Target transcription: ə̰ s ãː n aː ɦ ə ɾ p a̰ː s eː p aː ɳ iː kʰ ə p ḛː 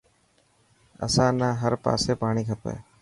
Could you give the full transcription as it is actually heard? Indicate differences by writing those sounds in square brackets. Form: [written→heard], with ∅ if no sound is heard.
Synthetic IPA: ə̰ s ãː n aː ɦ ə ɾ p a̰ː s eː p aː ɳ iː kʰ ə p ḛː